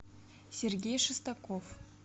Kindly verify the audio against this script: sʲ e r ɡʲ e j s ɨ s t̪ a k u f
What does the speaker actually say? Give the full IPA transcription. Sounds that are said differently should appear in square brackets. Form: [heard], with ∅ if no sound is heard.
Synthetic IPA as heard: sʲ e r ɡʲ e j [ʂ] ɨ s t̪ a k [o] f